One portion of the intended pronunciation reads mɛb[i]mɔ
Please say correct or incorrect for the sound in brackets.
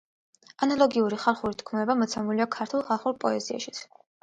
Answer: incorrect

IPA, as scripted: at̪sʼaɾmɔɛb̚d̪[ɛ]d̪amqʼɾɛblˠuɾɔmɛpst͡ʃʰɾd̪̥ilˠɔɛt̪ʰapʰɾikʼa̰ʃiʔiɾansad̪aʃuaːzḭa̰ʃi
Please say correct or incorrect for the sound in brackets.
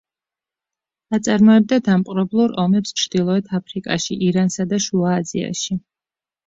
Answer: incorrect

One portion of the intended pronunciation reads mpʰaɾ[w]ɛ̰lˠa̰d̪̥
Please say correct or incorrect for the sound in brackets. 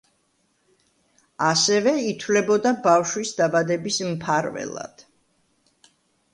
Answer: incorrect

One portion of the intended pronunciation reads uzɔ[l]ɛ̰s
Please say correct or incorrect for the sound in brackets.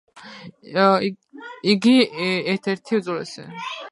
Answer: correct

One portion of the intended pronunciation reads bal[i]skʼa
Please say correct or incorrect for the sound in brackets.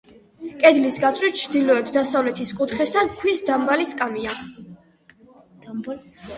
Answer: correct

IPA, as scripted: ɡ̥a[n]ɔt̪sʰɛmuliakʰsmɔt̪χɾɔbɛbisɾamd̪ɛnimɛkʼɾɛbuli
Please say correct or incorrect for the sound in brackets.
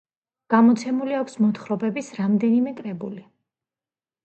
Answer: incorrect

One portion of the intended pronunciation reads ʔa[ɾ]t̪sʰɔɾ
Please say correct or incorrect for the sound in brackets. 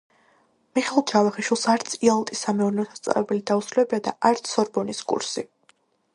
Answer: correct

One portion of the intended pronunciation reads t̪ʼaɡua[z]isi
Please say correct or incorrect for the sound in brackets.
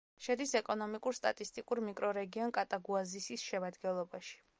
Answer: correct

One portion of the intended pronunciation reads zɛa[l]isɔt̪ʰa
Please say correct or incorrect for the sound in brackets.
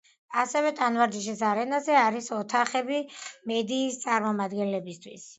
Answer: incorrect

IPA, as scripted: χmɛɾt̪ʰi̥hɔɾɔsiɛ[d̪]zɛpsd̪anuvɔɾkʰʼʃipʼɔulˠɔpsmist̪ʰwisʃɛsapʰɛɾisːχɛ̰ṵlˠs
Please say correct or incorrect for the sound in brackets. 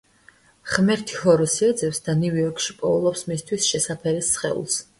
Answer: correct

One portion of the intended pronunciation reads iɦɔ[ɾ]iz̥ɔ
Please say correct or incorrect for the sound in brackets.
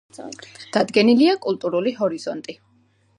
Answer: correct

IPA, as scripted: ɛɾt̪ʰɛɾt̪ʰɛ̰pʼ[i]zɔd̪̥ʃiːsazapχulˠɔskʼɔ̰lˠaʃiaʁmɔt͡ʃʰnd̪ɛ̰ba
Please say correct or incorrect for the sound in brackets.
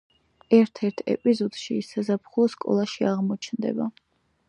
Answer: correct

